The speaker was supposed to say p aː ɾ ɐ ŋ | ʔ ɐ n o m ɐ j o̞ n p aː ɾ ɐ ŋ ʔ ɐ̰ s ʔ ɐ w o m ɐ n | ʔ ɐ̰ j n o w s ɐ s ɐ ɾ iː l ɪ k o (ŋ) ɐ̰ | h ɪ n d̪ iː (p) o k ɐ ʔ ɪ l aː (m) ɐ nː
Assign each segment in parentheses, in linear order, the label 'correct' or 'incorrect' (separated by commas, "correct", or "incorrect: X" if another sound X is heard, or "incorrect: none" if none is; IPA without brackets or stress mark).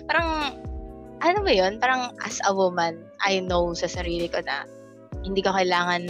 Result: incorrect: n, incorrect: k, incorrect: ŋ